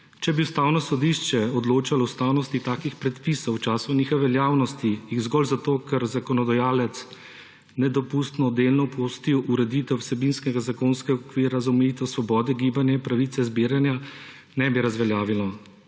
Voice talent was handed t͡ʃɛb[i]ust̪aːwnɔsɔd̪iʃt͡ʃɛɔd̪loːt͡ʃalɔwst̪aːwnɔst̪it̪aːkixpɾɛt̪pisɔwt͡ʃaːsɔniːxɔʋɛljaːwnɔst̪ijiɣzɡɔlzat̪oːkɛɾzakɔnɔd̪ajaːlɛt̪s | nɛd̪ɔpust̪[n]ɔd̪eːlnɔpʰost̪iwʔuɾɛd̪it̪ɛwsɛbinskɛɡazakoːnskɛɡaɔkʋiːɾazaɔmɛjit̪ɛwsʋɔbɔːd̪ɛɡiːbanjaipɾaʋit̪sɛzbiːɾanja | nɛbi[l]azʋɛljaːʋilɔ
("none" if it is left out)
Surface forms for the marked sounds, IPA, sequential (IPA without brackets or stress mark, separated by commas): i, n, ɾ